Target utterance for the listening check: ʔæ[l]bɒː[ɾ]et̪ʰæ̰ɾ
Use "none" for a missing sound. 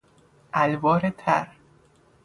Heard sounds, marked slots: l, ɾ

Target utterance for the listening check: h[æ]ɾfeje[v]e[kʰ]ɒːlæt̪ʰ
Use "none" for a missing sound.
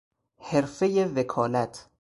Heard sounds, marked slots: e, v, kʰ

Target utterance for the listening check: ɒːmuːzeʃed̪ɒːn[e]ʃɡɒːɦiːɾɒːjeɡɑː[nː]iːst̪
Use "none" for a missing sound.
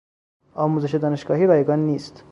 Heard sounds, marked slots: e, nː

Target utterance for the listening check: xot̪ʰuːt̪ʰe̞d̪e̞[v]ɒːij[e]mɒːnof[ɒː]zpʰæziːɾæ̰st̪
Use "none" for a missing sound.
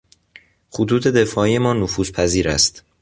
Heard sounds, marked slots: f, e, uː

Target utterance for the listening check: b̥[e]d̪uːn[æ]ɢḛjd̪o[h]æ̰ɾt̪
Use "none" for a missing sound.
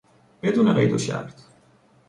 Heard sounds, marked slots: e, e, ʃ

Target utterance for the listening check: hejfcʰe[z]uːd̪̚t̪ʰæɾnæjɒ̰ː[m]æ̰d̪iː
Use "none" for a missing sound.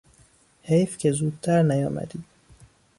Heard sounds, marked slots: z, m

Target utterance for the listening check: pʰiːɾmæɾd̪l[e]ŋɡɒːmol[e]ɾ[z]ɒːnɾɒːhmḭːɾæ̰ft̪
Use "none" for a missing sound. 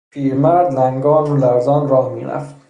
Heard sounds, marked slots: æ, æ, z

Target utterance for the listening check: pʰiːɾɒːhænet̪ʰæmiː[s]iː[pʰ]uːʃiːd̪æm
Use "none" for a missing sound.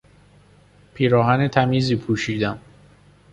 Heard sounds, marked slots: z, pʰ

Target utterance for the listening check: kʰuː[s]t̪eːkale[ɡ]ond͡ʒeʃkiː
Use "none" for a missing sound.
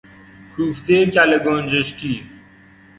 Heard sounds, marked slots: f, ɡ

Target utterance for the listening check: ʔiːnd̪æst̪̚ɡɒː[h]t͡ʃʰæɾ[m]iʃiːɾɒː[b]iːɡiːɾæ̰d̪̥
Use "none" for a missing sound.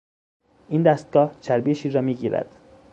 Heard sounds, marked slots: h, b, m

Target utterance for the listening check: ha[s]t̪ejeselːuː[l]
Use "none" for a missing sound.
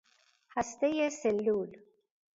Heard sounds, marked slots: s, l

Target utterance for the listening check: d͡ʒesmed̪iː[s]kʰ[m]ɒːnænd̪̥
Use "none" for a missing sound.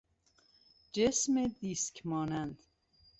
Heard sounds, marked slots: s, m

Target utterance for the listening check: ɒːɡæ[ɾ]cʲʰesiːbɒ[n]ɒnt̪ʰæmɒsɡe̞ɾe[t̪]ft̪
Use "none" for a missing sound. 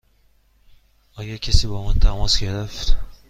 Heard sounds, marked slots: ɾ, m, none

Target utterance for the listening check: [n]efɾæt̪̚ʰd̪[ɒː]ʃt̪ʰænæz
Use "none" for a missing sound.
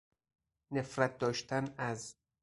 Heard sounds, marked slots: n, ɒː

